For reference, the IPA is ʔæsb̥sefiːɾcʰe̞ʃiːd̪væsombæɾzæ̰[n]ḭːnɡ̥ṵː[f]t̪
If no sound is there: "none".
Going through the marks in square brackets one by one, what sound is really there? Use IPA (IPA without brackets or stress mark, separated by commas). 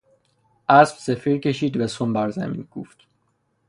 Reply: m, f